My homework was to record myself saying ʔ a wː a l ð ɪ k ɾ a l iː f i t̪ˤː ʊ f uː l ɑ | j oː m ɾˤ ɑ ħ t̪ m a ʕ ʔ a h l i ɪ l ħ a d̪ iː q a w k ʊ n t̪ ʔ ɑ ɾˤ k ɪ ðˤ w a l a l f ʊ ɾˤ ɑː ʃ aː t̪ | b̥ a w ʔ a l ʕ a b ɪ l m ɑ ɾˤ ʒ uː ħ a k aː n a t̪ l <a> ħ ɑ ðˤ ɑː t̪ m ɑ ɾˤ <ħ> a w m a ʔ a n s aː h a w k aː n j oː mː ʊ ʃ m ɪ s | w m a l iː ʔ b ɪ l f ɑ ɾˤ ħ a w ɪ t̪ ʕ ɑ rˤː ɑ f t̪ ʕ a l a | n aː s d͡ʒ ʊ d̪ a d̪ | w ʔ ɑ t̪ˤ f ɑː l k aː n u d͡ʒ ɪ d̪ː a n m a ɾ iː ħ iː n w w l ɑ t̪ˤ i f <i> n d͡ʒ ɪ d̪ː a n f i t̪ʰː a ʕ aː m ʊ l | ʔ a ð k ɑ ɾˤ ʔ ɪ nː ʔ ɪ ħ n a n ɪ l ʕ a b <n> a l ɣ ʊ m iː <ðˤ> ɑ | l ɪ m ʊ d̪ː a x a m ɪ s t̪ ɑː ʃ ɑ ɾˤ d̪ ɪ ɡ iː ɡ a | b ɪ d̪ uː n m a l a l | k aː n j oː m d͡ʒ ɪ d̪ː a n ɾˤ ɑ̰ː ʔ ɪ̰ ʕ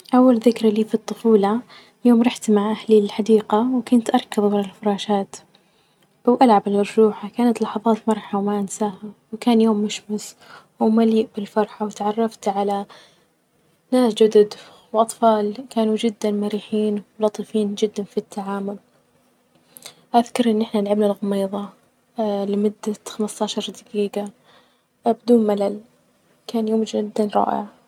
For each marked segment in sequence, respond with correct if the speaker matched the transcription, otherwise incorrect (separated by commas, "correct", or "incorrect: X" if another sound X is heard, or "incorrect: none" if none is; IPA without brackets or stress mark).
incorrect: ɑ, correct, incorrect: iː, correct, correct